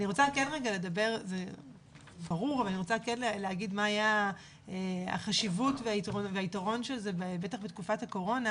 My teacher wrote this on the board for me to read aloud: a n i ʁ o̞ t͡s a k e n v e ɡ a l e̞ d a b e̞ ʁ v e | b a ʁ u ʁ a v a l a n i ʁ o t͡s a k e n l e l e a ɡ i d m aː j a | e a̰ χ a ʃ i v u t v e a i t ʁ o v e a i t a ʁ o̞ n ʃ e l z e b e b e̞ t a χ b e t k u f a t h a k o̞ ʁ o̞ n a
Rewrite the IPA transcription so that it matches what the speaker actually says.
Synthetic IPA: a n i ʁ o̞ t͡s a k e n ʁ e ɡ a l e̞ d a b e̞ ʁ z e | b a ʁ u ʁ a v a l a n i ʁ o t͡s a k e n l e l e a ɡ i d m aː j a | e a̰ χ a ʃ i v u t v e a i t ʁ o v e a i t a ʁ o̞ n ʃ e l z e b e b e̞ t a χ b e t k u f a t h a k o̞ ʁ o̞ n a